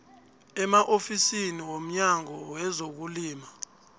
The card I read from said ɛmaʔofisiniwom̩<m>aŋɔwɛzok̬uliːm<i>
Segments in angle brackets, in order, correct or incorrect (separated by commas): incorrect, incorrect